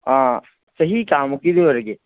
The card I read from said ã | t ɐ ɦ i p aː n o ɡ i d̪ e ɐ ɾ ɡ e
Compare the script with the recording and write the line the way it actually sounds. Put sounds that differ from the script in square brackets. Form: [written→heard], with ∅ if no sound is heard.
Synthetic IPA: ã | [t→s] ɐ ɦ i [p→k] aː [n→m] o [ɡ→k] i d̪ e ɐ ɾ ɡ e